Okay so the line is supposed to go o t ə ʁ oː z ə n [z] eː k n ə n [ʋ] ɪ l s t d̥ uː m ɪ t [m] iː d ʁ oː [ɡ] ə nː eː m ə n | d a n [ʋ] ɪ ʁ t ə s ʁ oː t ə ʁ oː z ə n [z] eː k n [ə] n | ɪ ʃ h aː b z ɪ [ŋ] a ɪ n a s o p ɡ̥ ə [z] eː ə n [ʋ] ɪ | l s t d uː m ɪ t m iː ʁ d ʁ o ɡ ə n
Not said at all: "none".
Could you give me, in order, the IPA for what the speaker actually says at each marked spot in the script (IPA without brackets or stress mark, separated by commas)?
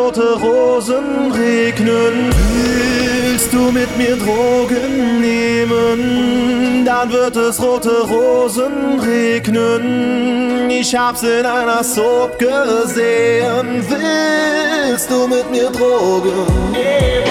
ʁ, v, m, ɡ, v, ʁ, ə, n, z, v